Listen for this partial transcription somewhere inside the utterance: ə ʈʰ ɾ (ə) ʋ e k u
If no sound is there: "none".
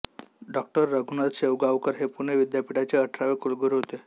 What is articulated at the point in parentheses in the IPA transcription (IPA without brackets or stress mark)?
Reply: a